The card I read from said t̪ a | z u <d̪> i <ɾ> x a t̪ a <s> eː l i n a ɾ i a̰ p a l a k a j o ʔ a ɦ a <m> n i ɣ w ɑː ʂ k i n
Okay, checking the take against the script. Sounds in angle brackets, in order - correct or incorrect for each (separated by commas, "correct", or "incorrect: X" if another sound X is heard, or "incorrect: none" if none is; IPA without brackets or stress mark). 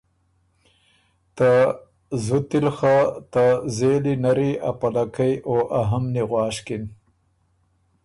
incorrect: t̪, incorrect: l, incorrect: z, correct